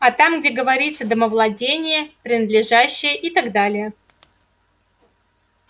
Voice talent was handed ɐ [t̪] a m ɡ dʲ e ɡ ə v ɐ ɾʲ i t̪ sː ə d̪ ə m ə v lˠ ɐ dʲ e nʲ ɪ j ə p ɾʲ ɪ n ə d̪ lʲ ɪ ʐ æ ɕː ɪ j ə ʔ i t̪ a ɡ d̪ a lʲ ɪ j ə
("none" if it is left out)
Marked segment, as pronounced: t̪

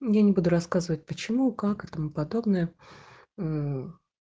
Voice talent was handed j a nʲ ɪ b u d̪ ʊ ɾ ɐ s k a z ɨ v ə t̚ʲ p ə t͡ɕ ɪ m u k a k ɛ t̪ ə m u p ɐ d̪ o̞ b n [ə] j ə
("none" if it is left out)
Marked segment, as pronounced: ə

